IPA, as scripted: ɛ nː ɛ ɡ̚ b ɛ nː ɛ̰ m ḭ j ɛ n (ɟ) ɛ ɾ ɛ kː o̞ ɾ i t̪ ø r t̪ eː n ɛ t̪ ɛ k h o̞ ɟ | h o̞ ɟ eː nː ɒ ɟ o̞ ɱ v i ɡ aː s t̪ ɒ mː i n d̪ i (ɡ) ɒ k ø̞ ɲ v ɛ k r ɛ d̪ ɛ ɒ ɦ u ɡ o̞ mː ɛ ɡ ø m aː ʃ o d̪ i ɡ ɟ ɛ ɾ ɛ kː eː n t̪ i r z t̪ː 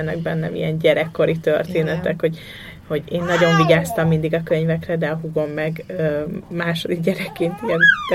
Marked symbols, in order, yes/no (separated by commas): yes, yes